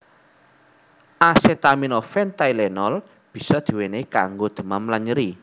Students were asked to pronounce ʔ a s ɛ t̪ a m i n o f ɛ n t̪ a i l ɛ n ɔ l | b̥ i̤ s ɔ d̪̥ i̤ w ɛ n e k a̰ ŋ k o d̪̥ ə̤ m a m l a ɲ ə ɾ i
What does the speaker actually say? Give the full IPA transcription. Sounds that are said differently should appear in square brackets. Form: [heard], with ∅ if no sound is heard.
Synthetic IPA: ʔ a s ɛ t̪ a m i n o f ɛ n t̪ a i l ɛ n ɔ l | b̥ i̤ s ɔ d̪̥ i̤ w [e] n e k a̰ ŋ [ɡ] o d̪̥ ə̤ m a m l a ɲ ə ɾ i